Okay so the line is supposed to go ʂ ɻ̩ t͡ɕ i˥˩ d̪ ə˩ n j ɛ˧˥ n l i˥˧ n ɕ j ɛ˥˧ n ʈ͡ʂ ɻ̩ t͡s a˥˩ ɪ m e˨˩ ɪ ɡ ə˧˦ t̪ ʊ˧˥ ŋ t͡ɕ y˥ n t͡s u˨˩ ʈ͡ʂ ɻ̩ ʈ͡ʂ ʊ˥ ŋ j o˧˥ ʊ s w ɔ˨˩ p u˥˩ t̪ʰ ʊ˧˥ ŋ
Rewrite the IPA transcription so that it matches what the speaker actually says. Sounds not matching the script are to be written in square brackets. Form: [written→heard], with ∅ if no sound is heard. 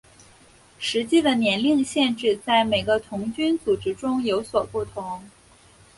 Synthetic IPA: ʂ ɻ̩ t͡ɕ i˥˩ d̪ ə˩ n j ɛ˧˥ n l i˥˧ [n→ŋ] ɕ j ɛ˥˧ n ʈ͡ʂ ɻ̩ t͡s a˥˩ ɪ m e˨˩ ɪ ɡ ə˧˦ [t̪→t̪ʰ] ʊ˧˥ ŋ t͡ɕ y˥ n t͡s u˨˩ ʈ͡ʂ ɻ̩ ʈ͡ʂ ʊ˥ ŋ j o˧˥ ʊ s w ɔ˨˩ p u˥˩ t̪ʰ ʊ˧˥ ŋ